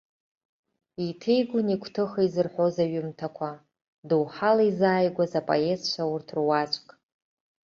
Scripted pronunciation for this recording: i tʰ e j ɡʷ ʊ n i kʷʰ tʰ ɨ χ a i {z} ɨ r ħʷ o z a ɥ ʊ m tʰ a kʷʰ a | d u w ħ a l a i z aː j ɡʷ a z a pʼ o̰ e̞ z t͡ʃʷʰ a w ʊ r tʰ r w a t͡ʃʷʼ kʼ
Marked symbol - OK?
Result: yes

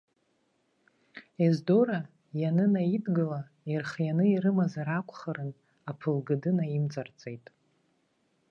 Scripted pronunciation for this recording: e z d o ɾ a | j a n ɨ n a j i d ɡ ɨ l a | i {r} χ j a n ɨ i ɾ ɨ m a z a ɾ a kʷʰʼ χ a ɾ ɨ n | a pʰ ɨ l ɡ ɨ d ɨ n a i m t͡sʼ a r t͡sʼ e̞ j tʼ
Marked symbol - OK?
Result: yes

